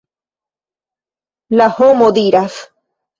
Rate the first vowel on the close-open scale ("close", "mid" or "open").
open